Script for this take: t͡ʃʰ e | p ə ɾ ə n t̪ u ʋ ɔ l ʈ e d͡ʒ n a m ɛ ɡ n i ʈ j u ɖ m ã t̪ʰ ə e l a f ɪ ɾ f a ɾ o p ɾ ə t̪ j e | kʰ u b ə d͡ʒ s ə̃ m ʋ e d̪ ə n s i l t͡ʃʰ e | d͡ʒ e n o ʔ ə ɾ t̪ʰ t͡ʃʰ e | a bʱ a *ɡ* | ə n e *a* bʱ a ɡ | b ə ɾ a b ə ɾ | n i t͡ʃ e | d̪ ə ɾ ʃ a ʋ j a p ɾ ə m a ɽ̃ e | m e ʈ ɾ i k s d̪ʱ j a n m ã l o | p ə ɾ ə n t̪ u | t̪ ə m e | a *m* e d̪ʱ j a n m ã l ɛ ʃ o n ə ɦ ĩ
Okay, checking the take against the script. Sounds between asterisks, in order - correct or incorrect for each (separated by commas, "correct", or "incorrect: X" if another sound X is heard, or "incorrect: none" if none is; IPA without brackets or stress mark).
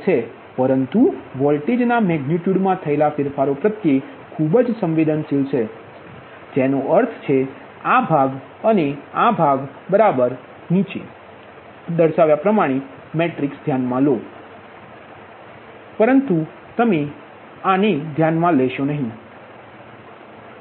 correct, correct, incorrect: n